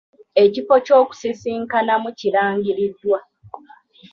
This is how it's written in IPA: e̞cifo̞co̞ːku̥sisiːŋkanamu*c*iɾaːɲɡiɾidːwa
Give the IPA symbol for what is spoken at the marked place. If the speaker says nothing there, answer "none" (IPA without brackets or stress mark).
c